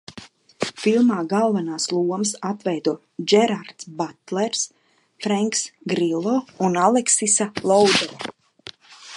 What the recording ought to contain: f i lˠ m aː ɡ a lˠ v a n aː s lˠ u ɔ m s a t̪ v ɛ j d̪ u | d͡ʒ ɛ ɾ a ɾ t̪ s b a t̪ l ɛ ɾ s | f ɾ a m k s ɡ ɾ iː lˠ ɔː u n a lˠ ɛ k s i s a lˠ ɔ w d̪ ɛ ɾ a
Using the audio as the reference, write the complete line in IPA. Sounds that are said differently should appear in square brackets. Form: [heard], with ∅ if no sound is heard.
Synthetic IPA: f i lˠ m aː ɡ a lˠ v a n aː s lˠ u ɔ m s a t̪ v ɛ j d̪ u | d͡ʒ ɛ ɾ a ɾ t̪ s b a t̪ l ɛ ɾ s | f ɾ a [ŋ] k s ɡ ɾ [i] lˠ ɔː u n a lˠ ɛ k s i s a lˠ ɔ w d̪ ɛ ɾ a